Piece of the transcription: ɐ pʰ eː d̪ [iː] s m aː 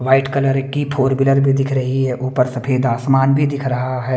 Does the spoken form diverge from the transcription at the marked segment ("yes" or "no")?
yes